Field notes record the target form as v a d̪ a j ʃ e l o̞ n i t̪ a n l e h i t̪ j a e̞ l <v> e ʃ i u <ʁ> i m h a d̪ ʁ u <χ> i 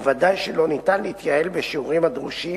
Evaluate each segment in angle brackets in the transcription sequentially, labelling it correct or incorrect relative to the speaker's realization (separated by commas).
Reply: incorrect, correct, incorrect